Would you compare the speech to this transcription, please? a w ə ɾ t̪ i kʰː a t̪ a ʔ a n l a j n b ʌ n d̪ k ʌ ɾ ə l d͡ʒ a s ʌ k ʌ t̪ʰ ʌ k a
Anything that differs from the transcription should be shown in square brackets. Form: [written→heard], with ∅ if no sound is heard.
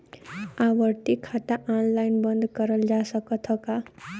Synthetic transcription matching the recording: a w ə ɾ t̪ i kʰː a t̪ a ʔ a n l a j n b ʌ n d̪ k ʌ ɾ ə l d͡ʒ a s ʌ k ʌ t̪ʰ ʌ k a